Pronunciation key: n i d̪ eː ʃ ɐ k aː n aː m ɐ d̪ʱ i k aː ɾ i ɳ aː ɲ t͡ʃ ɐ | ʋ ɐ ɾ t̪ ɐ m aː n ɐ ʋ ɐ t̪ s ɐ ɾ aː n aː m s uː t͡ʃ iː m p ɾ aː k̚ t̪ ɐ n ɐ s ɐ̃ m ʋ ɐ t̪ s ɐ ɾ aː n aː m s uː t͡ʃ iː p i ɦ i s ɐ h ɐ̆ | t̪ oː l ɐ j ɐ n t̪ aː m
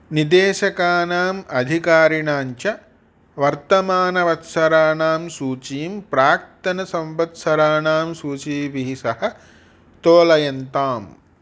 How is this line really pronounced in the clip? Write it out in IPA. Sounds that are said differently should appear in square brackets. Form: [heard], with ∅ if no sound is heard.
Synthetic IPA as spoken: n i d̪ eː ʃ ɐ k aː n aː m ɐ d̪ʱ i k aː ɾ i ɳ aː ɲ t͡ʃ ɐ | ʋ ɐ ɾ t̪ ɐ m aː n ɐ ʋ ɐ t̪ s ɐ ɾ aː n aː m s uː t͡ʃ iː m p ɾ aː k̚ t̪ ɐ n ɐ s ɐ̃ m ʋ ɐ t̪ s ɐ ɾ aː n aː m s uː t͡ʃ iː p i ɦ i s ɐ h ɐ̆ | t̪ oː l ɐ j ɐ n t̪ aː m